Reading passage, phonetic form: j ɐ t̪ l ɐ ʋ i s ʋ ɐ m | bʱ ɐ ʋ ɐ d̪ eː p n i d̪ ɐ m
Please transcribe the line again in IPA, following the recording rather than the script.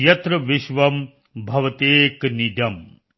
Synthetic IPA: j ɐ t̪ ɾ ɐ ʋ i ʃ ʋ ɐ m | bʱ ɐ ʋ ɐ t̪ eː k n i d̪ ɐ m